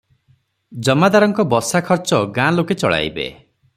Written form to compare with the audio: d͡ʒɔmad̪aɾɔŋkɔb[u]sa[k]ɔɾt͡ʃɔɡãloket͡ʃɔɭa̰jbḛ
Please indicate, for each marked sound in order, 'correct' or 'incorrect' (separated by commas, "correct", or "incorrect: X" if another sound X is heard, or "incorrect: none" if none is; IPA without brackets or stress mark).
incorrect: ɔ, incorrect: kʰ